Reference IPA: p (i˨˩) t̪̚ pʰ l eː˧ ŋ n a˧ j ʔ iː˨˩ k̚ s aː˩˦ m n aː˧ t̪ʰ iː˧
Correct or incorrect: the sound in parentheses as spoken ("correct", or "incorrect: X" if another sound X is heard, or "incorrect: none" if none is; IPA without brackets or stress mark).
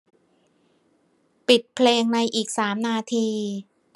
correct